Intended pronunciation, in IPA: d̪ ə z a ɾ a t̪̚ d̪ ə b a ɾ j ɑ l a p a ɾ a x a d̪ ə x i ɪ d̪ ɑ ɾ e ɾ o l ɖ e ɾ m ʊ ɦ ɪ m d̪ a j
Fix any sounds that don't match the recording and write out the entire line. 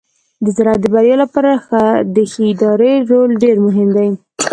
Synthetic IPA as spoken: d̪ ə z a ɾ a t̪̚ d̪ ə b a ɾ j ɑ l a p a ɾ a x a d̪ ə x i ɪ d̪ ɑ ɾ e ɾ o l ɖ e ɾ m ʊ ɦ ɪ m d̪ a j

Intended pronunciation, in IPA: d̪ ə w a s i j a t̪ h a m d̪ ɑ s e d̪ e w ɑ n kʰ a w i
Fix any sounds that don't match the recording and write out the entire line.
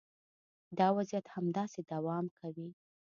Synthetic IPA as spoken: d̪ ɑ w a z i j a t̪ h a m d̪ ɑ s e d̪ a w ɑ m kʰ a w i

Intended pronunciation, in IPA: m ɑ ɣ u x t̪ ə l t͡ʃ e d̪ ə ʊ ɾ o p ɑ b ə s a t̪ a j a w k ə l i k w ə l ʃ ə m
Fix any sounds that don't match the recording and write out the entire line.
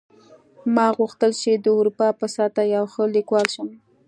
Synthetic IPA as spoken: m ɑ ɣ u x t̪ ə l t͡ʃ e d̪ ə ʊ ɾ u p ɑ p ə s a t̪ a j a w x ə l i k w ɑ l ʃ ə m

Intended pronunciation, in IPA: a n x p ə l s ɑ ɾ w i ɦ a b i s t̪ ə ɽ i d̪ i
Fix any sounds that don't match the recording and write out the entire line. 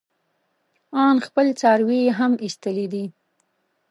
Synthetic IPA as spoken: ɑ n x p ə l t͡s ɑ ɾ w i ɦ a m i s t̪ ə l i d̪ i

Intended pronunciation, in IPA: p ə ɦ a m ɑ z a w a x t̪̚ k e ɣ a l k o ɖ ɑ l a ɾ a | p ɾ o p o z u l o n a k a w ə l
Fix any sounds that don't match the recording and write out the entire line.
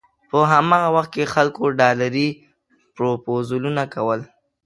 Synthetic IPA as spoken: p ə ɦ a m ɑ ɣ a w a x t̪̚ k e x a l k o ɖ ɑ l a ɾ i | p ɾ o p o z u l u n a k a w ə l

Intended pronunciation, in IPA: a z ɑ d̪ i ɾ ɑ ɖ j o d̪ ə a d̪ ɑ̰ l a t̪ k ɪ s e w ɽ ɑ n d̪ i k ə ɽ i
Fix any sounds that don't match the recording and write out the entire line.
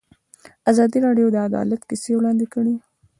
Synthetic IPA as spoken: a z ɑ d̪ i ɾ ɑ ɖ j o d̪ ə a d̪ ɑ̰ l a t̪ k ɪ s e w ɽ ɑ n d̪ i k ə ɽ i

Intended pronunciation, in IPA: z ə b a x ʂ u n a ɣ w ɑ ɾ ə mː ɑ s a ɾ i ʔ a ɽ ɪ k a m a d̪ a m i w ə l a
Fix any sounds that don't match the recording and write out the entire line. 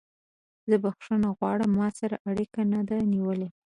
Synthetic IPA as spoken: z ə b a x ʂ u n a ɣ w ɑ ɽ ə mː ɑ s a ɾ a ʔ a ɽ i k a n a d̪ a n i w ə l e

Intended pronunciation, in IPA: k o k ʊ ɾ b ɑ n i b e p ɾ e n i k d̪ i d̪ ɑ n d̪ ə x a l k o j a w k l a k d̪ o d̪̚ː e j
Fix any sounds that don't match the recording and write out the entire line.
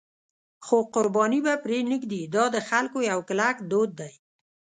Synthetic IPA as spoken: x o q ʊ ɾ b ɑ n i b a p ɾ e n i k d̪ i d̪ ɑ d̪ ə x a l k o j a w k l a k d̪ o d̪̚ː a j

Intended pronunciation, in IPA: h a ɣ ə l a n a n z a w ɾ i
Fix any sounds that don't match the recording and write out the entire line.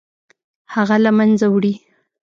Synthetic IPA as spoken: h a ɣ a l a m a n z a w ɽ i

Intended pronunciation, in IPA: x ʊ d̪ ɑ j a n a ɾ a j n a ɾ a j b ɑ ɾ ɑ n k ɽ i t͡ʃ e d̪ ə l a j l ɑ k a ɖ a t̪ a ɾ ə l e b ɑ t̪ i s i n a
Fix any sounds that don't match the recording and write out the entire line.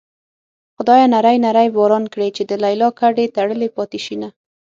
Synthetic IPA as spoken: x ʊ d̪ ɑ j a n a ɾ a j n a ɾ a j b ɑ ɾ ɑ n k ɽ e t͡ʃ e d̪ ə l a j l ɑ k a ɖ e t̪ a ɽ ə l e p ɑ t̪ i ʃ i n a

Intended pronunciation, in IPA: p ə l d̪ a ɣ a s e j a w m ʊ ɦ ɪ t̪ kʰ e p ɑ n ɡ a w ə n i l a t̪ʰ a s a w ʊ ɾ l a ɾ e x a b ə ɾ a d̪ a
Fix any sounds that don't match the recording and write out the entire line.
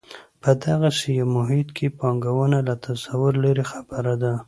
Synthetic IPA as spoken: p ə d̪ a ɣ a s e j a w m ʊ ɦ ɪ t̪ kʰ e p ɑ ŋ ɡ a w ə n a l a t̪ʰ a s a w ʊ ɾ l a ɾ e x a b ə ɾ a d̪ a

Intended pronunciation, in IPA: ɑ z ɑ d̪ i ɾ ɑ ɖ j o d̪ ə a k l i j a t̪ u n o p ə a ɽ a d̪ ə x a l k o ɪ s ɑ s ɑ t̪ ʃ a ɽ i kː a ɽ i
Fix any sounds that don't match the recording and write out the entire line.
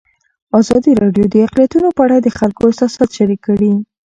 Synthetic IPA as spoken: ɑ z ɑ d̪ i ɾ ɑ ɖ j o d̪ ə a q l i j a t̪ u n o p ə a ɽ a d̪ ə x a l k o ɪ s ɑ s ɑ t̪ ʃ a ɾ i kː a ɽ i

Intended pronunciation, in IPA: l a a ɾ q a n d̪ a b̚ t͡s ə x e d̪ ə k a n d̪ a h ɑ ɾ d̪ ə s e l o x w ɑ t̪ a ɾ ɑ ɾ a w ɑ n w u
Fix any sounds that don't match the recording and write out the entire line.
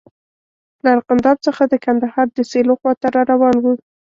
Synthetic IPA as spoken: l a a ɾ q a n d̪ ɑ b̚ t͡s ə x a d̪ ə k a n d̪ a h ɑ ɾ d̪ ə s e l o x w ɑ t̪ a ɾ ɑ ɾ a w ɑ n w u

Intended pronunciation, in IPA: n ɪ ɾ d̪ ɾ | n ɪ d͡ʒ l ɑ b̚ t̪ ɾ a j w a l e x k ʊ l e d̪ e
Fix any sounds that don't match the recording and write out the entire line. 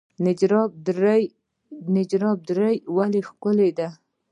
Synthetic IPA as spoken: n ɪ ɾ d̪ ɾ | n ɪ d͡ʒ ɾ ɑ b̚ d̪ ɾ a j w a l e x k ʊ l e d̪ a

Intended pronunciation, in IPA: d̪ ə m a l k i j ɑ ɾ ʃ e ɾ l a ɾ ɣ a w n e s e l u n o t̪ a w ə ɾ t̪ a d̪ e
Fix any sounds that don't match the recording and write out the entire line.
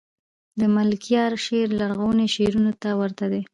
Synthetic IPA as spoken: d̪ ə m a l k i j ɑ ɾ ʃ e ɾ l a ɾ ɣ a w n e ʃ e ɾ u n o t̪ a w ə ɾ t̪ a d̪ e

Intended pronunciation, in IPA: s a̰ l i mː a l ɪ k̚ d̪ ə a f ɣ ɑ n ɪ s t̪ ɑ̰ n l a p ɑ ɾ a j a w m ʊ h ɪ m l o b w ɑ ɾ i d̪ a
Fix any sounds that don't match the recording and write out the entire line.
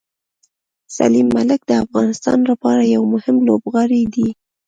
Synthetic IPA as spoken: s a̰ l i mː a l ɪ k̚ d̪ ə a f ɣ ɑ n ɪ s t̪ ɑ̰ n l a p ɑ ɾ a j a w m ʊ h ɪ m l o b ɣ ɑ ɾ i d̪ i

